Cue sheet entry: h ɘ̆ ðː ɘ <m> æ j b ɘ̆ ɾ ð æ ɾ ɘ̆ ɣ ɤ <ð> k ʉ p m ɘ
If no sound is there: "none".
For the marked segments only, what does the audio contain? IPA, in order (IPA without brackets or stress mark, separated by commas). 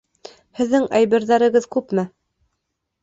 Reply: ŋ, ð